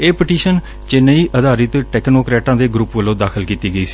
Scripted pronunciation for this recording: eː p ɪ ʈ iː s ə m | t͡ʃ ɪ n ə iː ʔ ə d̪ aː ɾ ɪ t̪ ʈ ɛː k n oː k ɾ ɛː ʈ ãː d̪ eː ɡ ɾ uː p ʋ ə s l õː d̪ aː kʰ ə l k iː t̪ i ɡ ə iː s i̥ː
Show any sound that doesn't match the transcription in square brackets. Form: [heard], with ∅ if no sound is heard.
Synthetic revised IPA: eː p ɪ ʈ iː [ʃ] ə [n] | t͡ʃ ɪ n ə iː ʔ ə d̪ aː ɾ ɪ t̪ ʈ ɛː k n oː k ɾ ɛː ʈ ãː d̪ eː ɡ ɾ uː p ʋ ə [∅] l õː d̪ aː kʰ ə l k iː t̪ [iː] ɡ ə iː s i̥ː